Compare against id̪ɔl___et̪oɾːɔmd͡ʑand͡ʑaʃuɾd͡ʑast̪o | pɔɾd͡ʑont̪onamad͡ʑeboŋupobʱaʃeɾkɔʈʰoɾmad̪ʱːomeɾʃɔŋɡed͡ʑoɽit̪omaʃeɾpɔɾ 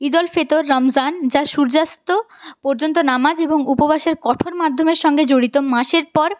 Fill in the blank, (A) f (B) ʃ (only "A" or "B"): A